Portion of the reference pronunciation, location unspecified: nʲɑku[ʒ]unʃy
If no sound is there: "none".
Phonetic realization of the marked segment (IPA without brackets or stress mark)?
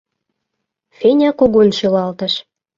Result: ɣ